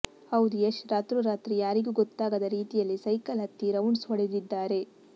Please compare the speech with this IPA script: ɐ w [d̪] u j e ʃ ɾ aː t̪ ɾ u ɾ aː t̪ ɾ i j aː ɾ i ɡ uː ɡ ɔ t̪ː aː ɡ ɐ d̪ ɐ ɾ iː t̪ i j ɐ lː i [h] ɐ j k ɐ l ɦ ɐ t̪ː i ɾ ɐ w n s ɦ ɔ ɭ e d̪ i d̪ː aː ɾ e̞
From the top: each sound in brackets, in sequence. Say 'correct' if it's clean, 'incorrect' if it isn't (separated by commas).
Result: correct, incorrect